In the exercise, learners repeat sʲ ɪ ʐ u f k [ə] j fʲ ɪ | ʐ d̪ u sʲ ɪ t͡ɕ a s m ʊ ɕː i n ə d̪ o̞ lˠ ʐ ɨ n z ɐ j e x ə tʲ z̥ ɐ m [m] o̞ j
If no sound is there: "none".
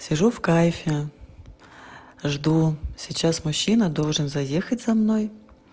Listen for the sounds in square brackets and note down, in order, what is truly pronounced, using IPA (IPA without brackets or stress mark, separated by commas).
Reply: a, n